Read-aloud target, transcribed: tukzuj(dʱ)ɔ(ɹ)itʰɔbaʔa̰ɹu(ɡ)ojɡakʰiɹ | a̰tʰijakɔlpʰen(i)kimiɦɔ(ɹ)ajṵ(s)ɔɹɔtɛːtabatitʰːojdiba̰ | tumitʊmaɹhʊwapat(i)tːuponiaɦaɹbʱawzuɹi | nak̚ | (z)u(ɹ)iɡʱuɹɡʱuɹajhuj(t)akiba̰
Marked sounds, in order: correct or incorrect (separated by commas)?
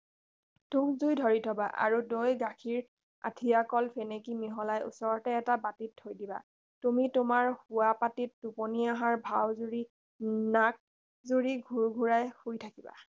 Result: correct, correct, incorrect, incorrect, incorrect, correct, correct, correct, correct, incorrect